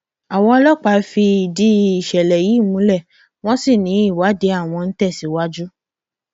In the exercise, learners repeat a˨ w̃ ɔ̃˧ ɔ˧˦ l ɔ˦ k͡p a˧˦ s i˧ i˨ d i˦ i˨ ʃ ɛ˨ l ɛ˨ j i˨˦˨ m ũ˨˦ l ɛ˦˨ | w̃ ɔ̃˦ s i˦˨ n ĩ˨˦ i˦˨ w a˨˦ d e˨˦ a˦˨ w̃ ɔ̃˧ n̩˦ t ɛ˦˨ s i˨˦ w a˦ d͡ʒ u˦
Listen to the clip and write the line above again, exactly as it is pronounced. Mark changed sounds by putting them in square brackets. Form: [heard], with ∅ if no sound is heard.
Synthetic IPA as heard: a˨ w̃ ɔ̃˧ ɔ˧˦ l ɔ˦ k͡p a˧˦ [f] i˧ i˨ d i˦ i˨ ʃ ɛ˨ l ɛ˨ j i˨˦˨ m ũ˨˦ l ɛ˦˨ | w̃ ɔ̃˦ s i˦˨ n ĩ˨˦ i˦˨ w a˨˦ d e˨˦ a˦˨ w̃ ɔ̃˧ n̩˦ t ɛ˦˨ s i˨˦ w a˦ d͡ʒ u˦